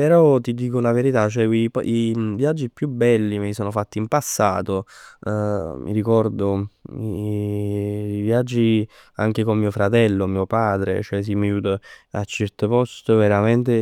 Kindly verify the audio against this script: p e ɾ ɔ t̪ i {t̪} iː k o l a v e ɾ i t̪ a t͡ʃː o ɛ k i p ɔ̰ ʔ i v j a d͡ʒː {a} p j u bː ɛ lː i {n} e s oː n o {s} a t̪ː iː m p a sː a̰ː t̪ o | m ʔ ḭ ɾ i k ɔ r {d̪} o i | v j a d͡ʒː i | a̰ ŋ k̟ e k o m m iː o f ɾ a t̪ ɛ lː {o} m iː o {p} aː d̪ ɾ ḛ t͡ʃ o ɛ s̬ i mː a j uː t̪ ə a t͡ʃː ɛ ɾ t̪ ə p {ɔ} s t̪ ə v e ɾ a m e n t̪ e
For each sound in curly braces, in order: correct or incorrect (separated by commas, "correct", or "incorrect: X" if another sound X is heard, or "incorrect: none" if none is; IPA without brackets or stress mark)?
incorrect: d̪, incorrect: i, incorrect: m, incorrect: f, correct, correct, correct, correct